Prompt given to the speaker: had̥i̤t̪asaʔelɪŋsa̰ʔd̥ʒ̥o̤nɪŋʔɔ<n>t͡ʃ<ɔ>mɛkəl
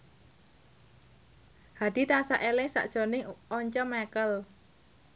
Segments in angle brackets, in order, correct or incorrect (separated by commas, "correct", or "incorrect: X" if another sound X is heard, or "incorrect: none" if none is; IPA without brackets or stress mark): incorrect: ɲ, correct